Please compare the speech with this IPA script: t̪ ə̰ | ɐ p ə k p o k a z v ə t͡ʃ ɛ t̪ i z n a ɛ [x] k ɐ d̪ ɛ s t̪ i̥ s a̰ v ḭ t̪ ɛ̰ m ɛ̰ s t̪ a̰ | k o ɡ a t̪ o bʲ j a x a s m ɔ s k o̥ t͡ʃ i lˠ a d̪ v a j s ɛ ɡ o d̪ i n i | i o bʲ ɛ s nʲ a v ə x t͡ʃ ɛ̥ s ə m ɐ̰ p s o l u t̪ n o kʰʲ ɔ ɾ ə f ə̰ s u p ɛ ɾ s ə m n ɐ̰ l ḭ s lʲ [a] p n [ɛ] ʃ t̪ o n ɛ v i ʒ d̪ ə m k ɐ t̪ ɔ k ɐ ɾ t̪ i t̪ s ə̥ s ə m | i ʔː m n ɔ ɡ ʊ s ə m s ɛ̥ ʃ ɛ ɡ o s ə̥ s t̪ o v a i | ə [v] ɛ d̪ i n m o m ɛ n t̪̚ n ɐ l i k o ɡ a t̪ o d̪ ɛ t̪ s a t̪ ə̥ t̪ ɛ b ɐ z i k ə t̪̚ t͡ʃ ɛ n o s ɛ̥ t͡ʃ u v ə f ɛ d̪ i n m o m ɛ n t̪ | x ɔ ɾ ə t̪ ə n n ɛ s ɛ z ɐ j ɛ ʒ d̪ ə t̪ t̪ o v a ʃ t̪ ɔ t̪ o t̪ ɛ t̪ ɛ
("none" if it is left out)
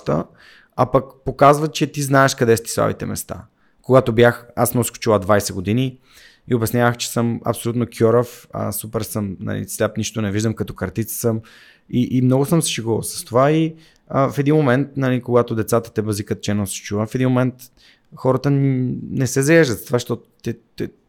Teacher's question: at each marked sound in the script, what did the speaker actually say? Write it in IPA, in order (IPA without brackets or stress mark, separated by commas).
ʃ, a, i, f